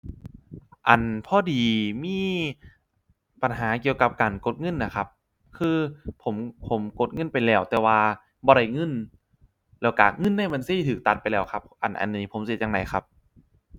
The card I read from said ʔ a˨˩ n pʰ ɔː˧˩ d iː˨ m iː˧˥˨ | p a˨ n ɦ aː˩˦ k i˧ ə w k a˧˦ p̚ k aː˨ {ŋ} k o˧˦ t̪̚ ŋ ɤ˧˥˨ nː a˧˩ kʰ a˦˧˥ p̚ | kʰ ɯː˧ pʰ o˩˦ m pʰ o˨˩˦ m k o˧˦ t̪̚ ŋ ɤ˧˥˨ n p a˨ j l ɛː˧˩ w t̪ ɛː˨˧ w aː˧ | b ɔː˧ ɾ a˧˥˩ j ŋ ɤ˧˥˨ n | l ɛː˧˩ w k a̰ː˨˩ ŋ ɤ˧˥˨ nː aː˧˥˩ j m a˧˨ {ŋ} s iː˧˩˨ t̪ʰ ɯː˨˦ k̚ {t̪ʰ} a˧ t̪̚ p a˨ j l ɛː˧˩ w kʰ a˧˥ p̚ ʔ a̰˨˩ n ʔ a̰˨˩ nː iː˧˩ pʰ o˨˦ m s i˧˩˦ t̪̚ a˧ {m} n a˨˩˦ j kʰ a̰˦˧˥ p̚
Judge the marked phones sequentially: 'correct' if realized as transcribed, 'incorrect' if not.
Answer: incorrect: n, incorrect: n, incorrect: t̪, incorrect: ŋ

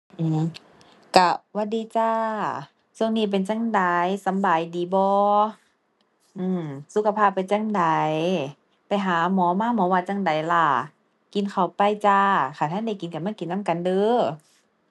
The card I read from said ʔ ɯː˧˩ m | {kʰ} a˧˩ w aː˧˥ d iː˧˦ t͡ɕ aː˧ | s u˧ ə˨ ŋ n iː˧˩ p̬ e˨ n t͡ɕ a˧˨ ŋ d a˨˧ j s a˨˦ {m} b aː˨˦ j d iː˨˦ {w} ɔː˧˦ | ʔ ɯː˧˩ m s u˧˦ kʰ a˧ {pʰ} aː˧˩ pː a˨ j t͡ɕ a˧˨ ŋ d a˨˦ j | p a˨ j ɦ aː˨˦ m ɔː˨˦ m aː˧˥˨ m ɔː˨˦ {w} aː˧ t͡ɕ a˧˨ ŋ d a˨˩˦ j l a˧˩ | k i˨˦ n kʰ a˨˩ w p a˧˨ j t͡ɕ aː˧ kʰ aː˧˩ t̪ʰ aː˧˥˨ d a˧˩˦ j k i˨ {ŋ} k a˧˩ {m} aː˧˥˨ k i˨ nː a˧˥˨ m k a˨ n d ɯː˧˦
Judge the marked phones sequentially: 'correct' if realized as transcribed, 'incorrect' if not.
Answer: incorrect: k, correct, incorrect: b, correct, correct, incorrect: n, correct

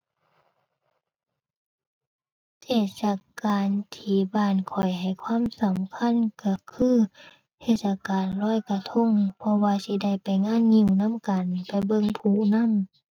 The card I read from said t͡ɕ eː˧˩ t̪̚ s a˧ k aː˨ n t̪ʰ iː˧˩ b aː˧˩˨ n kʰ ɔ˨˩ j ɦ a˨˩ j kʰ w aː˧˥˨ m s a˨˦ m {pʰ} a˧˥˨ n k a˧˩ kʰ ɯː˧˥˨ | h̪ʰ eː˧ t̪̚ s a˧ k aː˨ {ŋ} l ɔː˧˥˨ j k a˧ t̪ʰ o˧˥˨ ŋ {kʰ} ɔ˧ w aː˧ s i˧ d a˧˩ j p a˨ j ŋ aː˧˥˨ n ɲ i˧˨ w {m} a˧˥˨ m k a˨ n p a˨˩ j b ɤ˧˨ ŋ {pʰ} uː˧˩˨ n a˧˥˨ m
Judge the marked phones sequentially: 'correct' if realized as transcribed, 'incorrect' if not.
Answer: incorrect: kʰ, incorrect: n, incorrect: pʰ, incorrect: n, correct

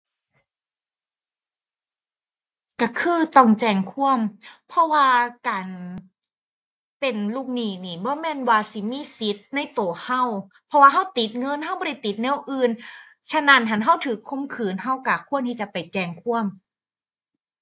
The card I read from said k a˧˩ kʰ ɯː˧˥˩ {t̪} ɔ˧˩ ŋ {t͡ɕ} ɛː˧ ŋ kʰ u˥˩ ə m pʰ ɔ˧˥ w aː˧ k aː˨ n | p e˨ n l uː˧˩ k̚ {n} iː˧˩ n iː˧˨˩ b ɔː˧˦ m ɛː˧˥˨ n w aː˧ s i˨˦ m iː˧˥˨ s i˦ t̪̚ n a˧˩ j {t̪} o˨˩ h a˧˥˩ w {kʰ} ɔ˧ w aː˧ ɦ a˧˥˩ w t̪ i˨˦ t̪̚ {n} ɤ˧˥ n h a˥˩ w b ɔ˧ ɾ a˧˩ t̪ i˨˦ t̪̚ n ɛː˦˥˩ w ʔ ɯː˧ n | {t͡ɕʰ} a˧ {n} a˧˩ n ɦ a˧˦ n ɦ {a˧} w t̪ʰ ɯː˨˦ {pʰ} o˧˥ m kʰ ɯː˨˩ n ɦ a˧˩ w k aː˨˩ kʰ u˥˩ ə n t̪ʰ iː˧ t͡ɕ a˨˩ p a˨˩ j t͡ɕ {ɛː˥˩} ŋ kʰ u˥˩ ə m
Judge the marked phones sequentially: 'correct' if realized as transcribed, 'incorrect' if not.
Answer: correct, correct, correct, correct, incorrect: pʰ, incorrect: ŋ, correct, correct, incorrect: a˧˥˩, incorrect: kʰ, incorrect: ɛː˧˩

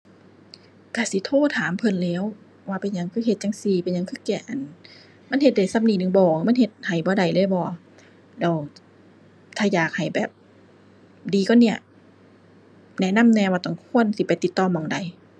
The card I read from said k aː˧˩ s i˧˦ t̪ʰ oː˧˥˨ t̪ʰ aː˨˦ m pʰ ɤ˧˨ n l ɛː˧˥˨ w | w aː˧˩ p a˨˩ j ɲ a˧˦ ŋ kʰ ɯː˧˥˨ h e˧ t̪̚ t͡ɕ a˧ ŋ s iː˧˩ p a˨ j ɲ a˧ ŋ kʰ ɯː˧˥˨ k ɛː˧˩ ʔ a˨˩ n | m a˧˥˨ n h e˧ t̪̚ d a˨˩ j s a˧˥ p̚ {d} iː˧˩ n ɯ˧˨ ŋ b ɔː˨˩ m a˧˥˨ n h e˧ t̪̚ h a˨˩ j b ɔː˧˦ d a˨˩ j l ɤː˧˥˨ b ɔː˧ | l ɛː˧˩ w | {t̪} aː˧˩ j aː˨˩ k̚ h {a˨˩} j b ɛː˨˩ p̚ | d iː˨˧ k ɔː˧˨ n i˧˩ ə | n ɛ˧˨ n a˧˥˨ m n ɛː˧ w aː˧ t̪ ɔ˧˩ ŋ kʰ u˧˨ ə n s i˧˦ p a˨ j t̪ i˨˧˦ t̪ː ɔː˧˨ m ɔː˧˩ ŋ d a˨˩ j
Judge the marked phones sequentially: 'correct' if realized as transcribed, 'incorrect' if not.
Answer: incorrect: n, incorrect: t̪ʰ, correct

